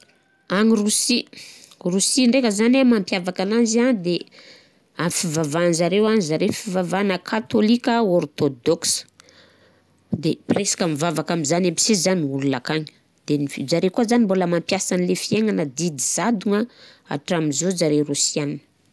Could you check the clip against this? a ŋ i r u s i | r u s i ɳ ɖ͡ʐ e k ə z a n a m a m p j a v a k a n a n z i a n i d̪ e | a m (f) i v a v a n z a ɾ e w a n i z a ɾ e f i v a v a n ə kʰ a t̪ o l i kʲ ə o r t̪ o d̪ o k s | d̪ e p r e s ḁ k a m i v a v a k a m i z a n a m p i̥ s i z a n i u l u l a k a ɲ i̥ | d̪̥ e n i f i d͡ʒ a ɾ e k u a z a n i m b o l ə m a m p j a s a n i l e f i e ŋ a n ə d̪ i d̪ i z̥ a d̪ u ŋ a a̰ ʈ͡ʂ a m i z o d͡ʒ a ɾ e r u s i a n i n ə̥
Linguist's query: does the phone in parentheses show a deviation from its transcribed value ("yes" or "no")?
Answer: no